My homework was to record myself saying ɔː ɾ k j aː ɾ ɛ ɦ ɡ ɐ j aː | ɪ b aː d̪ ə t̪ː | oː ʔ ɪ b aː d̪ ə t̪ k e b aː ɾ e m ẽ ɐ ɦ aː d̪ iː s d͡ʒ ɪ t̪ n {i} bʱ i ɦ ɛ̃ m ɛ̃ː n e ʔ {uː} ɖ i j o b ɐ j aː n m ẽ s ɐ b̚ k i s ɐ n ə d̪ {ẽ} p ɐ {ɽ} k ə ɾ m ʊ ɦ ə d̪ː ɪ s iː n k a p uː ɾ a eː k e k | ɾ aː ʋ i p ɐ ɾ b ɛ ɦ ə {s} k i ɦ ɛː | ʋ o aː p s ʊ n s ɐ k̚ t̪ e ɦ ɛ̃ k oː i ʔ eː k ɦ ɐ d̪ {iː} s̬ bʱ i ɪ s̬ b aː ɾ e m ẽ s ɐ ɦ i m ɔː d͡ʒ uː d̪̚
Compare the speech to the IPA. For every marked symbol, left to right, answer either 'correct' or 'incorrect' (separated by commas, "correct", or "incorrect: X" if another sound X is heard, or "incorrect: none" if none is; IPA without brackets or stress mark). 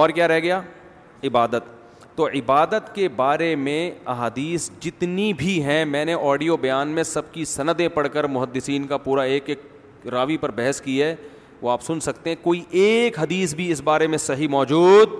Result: correct, incorrect: ɔː, correct, correct, correct, correct